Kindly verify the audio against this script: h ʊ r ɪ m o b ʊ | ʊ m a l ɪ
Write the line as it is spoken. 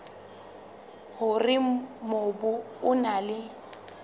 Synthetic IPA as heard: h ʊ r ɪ m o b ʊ | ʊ n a l ɪ